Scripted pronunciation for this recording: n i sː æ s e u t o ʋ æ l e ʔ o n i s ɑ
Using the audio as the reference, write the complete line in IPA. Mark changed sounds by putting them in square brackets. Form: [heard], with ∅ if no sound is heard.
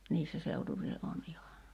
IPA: n [iː] sː æ s e u t [u] ʋ [i] l e ʔ o n i [h] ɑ